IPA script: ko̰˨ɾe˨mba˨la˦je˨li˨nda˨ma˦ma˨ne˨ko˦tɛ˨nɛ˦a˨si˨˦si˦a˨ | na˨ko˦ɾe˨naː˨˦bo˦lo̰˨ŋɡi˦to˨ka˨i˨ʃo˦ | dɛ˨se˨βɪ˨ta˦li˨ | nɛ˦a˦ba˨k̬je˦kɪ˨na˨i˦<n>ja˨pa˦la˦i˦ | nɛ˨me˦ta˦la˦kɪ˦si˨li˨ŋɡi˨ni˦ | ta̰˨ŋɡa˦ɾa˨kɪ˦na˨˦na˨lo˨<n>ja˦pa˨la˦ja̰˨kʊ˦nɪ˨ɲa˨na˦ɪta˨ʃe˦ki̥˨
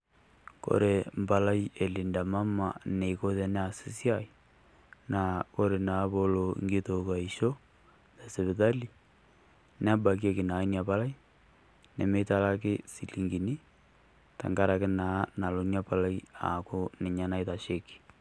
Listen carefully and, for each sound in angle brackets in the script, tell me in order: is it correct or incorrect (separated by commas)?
correct, correct